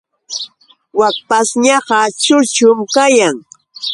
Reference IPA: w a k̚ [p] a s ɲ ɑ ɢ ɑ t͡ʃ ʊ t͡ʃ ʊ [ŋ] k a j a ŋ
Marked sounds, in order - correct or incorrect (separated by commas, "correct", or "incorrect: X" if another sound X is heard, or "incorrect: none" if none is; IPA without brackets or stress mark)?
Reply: correct, incorrect: m